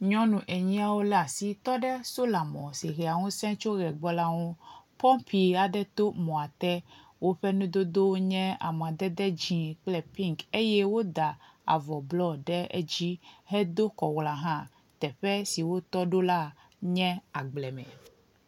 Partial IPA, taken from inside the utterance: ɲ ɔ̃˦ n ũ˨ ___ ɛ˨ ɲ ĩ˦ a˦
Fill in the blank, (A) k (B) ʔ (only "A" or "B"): B